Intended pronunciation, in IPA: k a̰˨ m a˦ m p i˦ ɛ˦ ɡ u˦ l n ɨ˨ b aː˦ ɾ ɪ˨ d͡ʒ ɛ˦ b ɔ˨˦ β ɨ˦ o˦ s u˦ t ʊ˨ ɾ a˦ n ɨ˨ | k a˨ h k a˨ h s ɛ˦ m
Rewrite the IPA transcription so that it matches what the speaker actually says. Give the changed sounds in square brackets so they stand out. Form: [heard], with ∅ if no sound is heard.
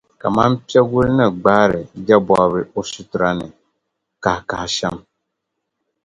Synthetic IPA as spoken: k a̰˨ m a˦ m p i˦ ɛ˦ ɡ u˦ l n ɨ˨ [ɡ͡b] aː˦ ɾ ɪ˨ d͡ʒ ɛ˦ b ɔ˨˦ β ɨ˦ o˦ s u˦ t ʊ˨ ɾ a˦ n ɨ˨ | k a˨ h k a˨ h [ʃ] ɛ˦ m